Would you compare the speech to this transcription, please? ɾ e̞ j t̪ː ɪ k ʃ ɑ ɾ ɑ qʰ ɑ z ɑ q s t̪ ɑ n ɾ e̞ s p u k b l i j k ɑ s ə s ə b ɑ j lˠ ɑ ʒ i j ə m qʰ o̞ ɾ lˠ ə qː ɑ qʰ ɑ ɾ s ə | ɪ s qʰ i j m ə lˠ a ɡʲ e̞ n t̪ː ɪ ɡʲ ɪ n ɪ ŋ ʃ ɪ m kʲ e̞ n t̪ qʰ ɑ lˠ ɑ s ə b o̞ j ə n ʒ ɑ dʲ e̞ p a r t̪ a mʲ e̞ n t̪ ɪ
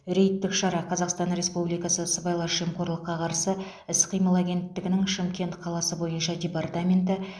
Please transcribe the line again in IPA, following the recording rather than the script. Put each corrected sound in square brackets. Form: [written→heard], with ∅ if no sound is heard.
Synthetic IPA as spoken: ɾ e̞ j t̪ː ɪ k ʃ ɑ ɾ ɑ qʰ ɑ z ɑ q s t̪ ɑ n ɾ e̞ s p u [k→∅] b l i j k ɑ s ə s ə b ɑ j lˠ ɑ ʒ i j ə m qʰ o̞ ɾ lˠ ə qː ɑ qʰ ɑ ɾ s ə | ɪ s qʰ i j m ə lˠ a ɡʲ e̞ n t̪ː ɪ ɡʲ ɪ n ɪ ŋ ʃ ɪ m kʲ e̞ n t̪ qʰ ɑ lˠ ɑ s ə b o̞ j ə n [ʒ→ʃ] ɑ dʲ e̞ p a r t̪ a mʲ e̞ n t̪ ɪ